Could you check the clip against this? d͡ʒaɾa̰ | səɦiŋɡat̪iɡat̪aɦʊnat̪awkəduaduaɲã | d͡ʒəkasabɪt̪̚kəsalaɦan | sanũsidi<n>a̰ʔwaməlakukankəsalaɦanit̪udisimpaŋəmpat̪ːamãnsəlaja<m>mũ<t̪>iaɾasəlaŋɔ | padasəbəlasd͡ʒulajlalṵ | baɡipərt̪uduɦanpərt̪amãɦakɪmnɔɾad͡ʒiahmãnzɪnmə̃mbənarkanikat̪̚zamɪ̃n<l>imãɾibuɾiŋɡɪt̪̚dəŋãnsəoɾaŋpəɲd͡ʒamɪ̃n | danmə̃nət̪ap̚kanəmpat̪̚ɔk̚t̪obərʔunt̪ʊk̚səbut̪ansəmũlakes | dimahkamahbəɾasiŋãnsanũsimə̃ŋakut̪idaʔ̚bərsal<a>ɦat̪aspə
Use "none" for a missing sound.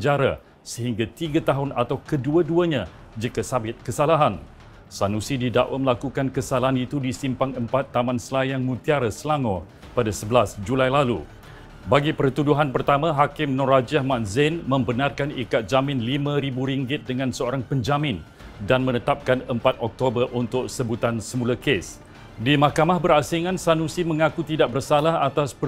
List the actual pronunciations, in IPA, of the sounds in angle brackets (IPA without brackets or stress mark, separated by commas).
d, ŋ, t̪, l, a